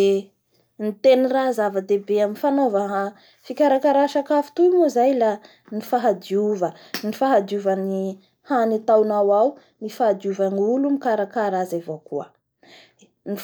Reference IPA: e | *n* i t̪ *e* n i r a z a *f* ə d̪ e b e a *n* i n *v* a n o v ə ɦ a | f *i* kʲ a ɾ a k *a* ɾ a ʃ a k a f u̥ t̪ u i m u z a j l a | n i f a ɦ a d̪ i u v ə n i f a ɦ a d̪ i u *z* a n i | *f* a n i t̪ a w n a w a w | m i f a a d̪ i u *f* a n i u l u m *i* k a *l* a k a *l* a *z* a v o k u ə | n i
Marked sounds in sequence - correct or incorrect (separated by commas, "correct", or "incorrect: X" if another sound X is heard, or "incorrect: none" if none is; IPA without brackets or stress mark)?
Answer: correct, correct, incorrect: v, incorrect: m, incorrect: f, correct, correct, incorrect: v, incorrect: h, incorrect: v, correct, incorrect: ɾ, incorrect: ɾ, correct